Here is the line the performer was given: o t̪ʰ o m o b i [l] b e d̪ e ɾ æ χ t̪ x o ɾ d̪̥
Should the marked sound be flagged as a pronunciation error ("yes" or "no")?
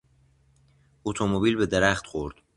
no